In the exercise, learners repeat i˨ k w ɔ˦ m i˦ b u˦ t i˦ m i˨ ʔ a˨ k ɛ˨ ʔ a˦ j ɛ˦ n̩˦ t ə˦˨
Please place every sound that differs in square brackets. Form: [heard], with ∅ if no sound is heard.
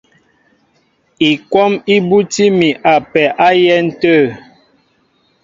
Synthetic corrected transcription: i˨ k w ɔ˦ m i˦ b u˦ t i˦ m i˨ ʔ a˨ [p] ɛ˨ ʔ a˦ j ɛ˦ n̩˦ t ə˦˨